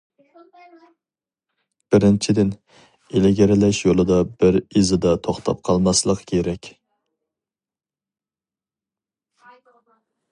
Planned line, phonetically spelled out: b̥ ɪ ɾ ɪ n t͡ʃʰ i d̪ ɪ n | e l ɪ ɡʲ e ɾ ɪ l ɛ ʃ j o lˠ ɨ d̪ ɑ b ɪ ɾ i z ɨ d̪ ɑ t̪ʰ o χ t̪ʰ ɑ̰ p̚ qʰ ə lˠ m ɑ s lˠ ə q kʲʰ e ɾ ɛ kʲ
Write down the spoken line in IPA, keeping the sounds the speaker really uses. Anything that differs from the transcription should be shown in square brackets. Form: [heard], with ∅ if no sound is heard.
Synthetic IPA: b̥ ɪ ɾ ɪ n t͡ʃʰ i d̪ ɪ n | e l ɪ ɡʲ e ɾ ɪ l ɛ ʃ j o lˠ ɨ d̪ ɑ b ɪ ɾ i z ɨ d̪ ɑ t̪ʰ o χ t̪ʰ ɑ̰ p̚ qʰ [ɑ] lˠ m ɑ s lˠ ə q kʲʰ e ɾ ɛ kʲ